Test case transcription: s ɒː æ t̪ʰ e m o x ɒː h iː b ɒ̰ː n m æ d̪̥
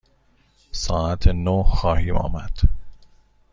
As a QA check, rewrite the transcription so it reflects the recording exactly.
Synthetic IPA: s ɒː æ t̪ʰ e n o x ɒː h iː m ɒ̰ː m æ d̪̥